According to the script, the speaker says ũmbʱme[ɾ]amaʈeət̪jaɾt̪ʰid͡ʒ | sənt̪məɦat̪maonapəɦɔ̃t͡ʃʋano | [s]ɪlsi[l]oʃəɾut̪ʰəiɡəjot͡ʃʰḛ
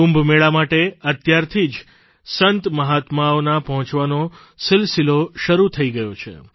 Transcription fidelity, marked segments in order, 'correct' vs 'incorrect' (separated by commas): incorrect, correct, correct